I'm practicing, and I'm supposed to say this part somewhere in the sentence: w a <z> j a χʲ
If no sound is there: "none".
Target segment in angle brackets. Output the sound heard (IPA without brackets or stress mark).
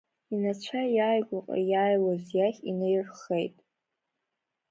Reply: z